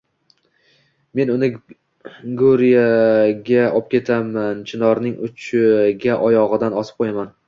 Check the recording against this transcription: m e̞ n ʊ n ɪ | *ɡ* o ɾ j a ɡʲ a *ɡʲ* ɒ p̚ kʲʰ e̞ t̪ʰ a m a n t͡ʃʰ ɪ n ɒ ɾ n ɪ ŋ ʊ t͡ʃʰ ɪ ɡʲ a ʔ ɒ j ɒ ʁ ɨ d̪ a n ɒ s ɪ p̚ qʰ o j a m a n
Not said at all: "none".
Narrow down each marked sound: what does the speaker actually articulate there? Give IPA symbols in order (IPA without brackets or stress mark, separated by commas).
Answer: ɡ, none